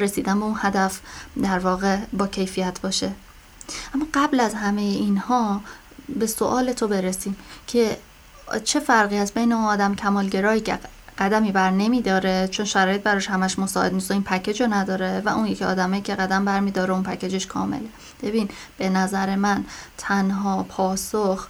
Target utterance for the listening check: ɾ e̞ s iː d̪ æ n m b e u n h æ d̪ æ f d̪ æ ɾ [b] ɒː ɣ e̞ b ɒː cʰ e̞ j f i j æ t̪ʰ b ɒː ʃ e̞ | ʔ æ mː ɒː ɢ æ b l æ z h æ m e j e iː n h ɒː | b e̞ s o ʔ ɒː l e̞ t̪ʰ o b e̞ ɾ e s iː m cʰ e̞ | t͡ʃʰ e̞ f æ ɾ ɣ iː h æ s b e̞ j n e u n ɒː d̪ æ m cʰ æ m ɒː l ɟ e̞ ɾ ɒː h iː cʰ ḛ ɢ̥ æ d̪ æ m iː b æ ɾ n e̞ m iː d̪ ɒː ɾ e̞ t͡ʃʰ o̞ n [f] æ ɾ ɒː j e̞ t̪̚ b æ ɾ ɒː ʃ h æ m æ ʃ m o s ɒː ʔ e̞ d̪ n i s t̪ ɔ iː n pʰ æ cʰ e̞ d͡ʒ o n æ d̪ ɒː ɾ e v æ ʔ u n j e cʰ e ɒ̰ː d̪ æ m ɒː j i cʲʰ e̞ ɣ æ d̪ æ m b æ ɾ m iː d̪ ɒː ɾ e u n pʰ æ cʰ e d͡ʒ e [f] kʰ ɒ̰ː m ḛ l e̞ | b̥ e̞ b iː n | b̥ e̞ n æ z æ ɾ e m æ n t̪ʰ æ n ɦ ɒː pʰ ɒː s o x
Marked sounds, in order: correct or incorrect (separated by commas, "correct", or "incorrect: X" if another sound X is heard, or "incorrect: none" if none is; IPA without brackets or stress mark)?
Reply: incorrect: v, incorrect: ʃ, incorrect: ʃ